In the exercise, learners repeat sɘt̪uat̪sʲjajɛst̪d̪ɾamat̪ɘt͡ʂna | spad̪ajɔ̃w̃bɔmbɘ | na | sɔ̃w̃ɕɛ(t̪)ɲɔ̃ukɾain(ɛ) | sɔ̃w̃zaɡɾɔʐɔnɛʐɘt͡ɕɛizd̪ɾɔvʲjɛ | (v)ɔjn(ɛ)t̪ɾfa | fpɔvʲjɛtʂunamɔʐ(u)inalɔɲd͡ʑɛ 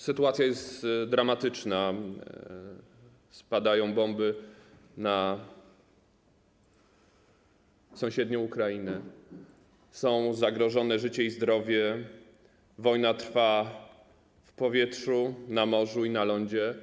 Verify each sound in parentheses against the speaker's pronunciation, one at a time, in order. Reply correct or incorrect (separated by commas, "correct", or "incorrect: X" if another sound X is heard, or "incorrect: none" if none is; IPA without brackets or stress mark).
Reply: incorrect: d̪, correct, correct, incorrect: a, correct